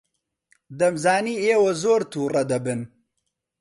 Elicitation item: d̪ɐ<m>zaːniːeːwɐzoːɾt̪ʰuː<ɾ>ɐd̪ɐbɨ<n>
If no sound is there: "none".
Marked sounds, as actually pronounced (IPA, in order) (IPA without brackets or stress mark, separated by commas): m, r, n